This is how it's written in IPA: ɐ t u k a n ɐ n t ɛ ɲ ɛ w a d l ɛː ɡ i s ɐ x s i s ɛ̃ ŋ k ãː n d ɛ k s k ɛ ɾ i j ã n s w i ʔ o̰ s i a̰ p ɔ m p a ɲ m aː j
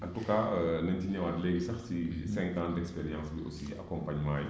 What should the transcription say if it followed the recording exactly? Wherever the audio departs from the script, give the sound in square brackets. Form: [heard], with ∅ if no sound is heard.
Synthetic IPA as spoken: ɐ t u k a n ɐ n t [i] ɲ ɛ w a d l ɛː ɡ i s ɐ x s i s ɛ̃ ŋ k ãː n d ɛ k s [p] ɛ ɾ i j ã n s [b] i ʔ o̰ s i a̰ [k] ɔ m p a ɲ m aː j